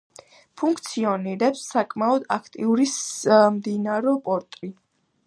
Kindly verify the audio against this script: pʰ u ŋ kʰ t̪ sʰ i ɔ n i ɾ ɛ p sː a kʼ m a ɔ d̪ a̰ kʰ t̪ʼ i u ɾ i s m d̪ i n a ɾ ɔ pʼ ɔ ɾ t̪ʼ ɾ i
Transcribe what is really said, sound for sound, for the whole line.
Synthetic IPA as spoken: pʰ u ŋ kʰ t̪ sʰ i ɔ n i ɾ ɛ p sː a kʼ m a ɔ d̪ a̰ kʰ t̪ʼ i u ɾ i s m d̪ i n a ɾ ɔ pʼ ɔ ɾ t̪ʼ ɾ i

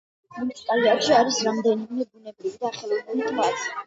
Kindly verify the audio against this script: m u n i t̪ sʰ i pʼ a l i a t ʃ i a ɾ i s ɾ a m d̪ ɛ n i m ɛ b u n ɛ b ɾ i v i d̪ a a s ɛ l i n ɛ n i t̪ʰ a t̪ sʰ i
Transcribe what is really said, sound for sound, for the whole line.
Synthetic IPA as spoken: m u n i t̪ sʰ i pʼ a l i a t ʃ i a ɾ i s ɾ a m d̪ ɛ n i m ɛ b u n ɛ b ɾ i v i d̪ a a χ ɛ l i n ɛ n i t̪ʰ a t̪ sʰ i

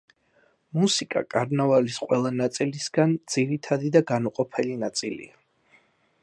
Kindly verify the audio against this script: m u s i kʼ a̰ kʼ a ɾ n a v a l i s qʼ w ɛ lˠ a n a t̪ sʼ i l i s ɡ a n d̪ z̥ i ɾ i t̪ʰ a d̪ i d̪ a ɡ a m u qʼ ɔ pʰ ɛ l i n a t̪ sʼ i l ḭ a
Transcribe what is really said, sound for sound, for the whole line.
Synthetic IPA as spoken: m u s i kʼ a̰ kʼ a ɾ n a v a l i s qʼ w ɛ lˠ a n a t̪ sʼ i l i s ɡ a n d̪ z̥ i ɾ i t̪ʰ a d̪ i d̪ a ɡ a n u qʼ ɔ pʰ ɛ l i n a t̪ sʼ i l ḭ a

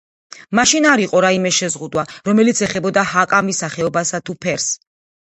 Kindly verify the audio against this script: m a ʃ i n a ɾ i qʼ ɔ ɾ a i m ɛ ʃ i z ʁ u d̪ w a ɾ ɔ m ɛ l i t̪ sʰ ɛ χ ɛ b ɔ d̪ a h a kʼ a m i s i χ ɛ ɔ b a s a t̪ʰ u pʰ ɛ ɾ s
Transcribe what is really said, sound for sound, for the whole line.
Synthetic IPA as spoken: m a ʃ i n a ɾ i qʼ ɔ ɾ a i m ɛ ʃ ɛ z ʁ u d̪ w a ɾ ɔ m ɛ l i t̪ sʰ ɛ χ ɛ b ɔ d̪ a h a kʼ a m i s a χ ɛ ɔ b a s a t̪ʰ u pʰ ɛ ɾ s

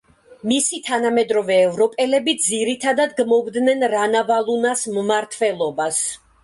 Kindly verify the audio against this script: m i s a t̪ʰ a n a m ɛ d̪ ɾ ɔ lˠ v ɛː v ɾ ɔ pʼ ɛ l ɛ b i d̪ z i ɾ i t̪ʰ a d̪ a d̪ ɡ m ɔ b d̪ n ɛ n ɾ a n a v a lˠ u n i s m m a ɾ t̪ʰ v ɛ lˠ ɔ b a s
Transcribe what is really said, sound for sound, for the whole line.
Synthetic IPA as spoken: m i s i t̪ʰ a n a m ɛ d̪ ɾ ɔ v ɛː v ɾ ɔ pʼ ɛ l ɛ b i d̪ z i ɾ i t̪ʰ a d̪ a d̪ ɡ m ɔ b d̪ n ɛ n ɾ a n a v a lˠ u n a s m m a ɾ t̪ʰ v ɛ lˠ ɔ b a s

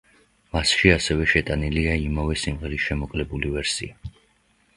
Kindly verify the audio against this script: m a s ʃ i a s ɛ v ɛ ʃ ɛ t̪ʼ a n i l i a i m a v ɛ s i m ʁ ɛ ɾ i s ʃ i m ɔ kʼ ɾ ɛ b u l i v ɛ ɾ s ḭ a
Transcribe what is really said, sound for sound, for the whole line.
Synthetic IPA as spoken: m a s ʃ i a s ɛ v ɛ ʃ ɛ t̪ʼ a n i l i a i m a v ɛ s i m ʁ ɛ ɾ i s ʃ ɛ m ɔ kʼ l ɛ b u l i v ɛ ɾ s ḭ a

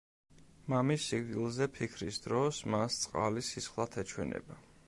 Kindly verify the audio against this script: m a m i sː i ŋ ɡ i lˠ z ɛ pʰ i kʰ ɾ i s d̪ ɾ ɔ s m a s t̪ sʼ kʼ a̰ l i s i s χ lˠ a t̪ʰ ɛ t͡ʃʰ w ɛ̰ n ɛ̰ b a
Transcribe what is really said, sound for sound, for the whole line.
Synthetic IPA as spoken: m a m i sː i ɡ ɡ i lˠ z ɛ pʰ i kʰ ɾ i s d̪ ɾ ɔ s m a s t̪ sʼ qʼ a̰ l i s i s χ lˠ a t̪ʰ ɛ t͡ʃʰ w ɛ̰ n ɛ̰ b a

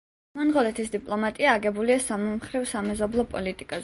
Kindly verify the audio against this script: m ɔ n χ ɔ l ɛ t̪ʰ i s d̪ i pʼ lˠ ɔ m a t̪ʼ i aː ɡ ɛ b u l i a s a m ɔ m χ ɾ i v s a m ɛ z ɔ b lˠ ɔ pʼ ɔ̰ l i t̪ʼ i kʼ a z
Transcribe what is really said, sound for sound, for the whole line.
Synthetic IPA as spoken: m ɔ n ʁ ɔ l ɛ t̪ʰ i s d̪ i pʼ lˠ ɔ m a t̪ʼ i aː ɡ ɛ b u l i a s a m ɔ m χ ɾ i v s a m ɛ z ɔ b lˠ ɔ pʼ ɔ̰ l i t̪ʼ i kʼ a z

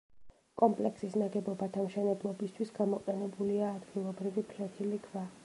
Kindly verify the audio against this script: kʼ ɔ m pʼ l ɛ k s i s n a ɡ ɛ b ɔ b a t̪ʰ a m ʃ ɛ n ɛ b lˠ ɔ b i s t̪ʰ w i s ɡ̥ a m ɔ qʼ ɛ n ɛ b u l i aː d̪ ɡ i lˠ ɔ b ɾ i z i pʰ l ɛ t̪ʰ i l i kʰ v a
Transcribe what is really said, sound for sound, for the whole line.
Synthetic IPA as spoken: kʼ ɔ m pʼ l ɛ k s i s n a ɡ ɛ b ɔ b a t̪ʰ a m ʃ ɛ n ɛ b lˠ ɔ b i s t̪ʰ w i s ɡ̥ a m ɔ qʼ ɛ n ɛ b u l i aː d̪ ɡ i lˠ ɔ b ɾ i v i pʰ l ɛ t̪ʰ i l i kʰ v a

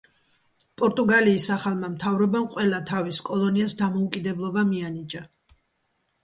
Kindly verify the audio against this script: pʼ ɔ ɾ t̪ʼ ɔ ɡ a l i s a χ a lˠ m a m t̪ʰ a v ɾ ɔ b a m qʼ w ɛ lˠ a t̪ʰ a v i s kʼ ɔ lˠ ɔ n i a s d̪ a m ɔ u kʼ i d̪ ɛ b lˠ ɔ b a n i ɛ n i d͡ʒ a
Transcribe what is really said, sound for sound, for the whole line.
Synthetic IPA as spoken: pʼ ɔ ɾ t̪ʼ u ɡ a l iː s a χ a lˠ m a m t̪ʰ a v ɾ ɔ b a m qʼ w ɛ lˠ a t̪ʰ a v i s kʼ ɔ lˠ ɔ n i a s d̪ a m ɔ u kʼ i d̪ ɛ b lˠ ɔ b a m i a n i d͡ʒ a

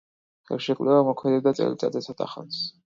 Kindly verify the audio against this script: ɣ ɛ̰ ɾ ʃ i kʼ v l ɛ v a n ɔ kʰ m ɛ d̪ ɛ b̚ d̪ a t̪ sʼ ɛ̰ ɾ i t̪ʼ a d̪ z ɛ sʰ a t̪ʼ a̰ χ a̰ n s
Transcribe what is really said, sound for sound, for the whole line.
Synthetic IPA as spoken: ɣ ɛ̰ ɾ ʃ ɛ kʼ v l ɛ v a m ɔ kʰ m ɛ d̪ ɛ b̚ d̪ a t̪ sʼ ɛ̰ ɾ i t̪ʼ a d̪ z ɛ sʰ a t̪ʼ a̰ χ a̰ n s

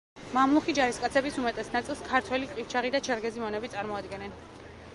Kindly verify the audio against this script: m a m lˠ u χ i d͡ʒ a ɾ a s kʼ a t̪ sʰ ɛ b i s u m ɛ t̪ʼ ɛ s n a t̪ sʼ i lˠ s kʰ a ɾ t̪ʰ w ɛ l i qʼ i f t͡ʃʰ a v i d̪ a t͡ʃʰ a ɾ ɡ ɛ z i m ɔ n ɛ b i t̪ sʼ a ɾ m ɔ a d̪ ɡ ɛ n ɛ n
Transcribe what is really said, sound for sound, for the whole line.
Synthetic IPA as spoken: m a m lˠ u χ i d͡ʒ a ɾ i s kʼ a t̪ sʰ ɛ b i s u m ɛ t̪ʼ ɛ s n a t̪ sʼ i lˠ s kʰ a ɾ t̪ʰ w ɛ l i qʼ i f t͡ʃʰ a ʁ i d̪ a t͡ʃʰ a ɾ ɡ ɛ z i m ɔ n ɛ b i t̪ sʼ a ɾ m ɔ a d̪ ɡ ɛ n ɛ n

